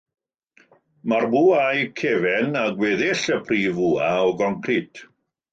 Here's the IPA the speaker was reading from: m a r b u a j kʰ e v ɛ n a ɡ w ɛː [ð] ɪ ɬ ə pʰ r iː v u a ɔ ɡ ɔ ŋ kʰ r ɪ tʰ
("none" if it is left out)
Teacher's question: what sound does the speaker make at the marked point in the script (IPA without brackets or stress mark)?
ð